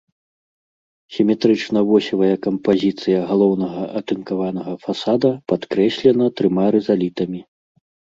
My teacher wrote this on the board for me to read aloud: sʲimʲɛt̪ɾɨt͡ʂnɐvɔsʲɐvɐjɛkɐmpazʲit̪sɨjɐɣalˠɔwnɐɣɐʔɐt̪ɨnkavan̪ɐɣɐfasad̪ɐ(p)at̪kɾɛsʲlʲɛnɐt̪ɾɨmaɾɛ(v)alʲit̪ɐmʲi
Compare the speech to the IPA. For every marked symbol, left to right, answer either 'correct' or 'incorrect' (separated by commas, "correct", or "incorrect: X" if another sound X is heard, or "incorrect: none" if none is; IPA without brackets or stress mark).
correct, incorrect: z